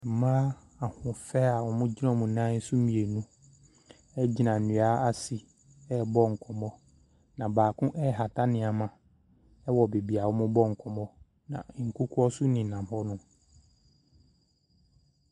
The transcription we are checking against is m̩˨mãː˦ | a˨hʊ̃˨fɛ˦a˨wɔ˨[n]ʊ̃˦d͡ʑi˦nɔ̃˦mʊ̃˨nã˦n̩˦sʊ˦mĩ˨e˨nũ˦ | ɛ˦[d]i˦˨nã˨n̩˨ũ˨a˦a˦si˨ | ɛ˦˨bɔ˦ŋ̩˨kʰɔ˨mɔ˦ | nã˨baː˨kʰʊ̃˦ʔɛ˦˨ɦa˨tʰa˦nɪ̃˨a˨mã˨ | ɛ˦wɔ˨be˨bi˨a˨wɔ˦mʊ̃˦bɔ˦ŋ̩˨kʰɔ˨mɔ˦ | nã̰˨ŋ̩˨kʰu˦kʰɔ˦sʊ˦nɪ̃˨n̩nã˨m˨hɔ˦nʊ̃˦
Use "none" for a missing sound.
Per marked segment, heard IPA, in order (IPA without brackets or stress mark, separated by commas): m, d͡ʑ